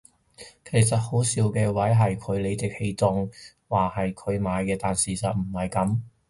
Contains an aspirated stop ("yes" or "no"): yes